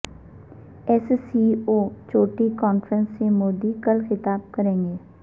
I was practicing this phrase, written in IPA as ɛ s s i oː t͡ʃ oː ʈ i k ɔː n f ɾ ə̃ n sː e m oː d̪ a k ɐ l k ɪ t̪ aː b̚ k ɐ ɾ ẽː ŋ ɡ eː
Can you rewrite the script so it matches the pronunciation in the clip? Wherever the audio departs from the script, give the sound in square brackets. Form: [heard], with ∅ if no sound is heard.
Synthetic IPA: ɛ s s i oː t͡ʃ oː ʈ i k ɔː n f ɾ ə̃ n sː e m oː d̪ [i] k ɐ l [x] ɪ t̪ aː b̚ k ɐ ɾ ẽː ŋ ɡ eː